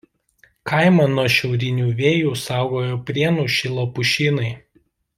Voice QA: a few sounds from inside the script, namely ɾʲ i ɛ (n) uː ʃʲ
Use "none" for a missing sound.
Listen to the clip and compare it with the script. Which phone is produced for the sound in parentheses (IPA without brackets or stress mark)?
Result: n